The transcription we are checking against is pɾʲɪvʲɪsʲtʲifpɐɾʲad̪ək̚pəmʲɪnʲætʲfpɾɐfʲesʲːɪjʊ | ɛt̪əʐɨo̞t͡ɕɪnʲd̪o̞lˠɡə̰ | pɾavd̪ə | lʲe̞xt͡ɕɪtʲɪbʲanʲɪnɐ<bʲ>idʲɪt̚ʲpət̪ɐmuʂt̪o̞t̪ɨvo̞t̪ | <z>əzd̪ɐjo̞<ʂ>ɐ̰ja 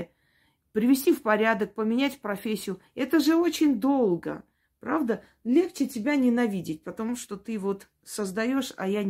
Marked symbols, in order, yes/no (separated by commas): no, no, yes